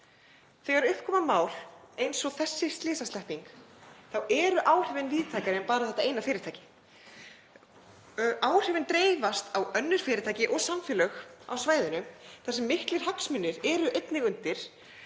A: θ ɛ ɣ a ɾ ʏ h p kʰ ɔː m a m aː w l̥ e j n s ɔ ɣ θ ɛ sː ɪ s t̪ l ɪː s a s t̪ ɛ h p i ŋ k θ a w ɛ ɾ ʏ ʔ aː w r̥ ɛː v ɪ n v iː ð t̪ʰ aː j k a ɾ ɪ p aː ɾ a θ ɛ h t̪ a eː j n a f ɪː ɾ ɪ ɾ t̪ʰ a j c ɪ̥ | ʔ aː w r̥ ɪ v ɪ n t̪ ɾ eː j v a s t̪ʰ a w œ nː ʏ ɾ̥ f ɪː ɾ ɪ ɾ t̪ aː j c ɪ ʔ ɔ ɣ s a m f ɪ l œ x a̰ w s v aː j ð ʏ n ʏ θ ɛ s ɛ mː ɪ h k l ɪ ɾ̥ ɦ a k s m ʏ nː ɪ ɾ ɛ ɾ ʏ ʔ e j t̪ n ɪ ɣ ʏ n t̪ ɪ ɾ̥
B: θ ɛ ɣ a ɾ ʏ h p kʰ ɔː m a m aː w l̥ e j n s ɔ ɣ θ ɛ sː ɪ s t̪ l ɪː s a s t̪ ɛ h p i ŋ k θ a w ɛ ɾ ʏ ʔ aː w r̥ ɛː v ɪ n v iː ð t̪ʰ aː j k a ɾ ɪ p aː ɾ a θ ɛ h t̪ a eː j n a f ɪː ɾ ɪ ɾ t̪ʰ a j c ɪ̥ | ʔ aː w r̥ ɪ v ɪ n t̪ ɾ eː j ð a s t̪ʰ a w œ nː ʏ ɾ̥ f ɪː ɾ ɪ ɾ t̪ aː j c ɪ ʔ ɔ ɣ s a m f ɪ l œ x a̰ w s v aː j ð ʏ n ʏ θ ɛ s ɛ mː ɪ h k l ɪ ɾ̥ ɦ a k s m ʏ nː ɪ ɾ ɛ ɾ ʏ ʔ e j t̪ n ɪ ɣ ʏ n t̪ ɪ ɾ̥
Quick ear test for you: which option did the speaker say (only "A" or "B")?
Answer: A